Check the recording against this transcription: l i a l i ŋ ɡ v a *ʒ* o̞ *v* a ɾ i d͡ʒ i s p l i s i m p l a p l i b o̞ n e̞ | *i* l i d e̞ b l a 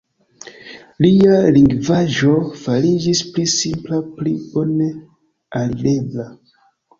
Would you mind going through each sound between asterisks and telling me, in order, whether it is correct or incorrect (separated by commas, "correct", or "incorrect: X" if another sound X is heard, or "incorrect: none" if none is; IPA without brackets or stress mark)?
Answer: correct, incorrect: f, incorrect: a